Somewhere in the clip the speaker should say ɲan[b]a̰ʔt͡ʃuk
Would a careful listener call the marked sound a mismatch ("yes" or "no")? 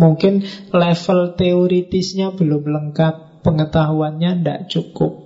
yes